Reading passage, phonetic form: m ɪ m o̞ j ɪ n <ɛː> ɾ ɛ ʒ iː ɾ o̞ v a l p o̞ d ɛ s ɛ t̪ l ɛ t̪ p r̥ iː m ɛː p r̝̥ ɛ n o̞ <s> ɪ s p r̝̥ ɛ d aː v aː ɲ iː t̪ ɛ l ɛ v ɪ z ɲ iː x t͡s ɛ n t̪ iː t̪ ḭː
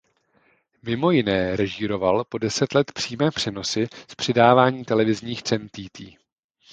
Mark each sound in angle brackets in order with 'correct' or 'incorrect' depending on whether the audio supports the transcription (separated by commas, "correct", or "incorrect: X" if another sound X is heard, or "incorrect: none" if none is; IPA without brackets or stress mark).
correct, correct